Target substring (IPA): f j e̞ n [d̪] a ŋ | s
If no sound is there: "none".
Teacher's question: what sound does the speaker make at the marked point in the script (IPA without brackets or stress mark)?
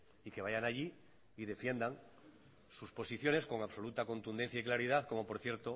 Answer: d̪